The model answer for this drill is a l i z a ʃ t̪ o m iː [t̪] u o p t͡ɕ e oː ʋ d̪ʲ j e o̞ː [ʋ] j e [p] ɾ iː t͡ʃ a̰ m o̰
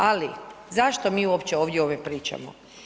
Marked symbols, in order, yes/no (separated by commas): no, yes, yes